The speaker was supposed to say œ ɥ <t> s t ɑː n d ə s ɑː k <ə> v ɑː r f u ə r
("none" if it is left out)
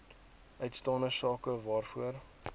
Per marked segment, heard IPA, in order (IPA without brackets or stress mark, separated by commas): t, ə